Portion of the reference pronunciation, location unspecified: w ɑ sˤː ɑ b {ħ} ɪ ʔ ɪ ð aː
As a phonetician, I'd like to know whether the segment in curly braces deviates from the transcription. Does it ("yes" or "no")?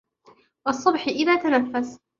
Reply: no